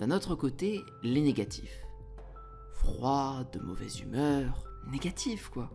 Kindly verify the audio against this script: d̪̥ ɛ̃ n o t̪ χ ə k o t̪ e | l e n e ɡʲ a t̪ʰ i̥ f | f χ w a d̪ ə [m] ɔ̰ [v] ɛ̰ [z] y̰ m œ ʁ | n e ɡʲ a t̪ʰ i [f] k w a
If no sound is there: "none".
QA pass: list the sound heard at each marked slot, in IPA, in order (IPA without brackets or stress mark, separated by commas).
m, v, z, f